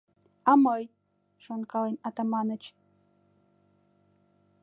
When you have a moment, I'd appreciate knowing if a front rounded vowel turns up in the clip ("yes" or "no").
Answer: no